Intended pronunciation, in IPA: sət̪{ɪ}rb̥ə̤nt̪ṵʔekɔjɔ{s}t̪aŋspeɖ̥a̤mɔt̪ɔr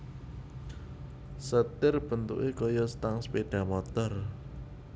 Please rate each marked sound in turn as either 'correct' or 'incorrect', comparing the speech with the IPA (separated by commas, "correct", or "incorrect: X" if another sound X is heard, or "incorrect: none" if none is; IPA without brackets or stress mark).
correct, correct